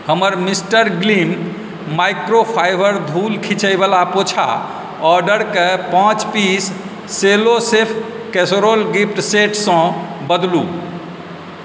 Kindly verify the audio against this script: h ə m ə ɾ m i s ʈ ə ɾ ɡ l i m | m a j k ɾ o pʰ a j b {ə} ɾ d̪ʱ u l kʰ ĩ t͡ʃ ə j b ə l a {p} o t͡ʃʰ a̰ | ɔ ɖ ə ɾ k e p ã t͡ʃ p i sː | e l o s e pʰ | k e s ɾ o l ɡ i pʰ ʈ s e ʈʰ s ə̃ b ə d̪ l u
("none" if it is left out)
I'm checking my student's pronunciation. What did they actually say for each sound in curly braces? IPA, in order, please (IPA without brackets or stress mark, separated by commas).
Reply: ə, p